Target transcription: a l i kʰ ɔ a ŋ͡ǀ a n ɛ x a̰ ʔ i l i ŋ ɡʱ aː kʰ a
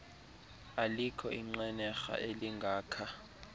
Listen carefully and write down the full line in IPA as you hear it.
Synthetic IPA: a l i kʰ ɔ i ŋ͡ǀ ɛ n ɛ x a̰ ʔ e l i ŋ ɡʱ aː kʰ a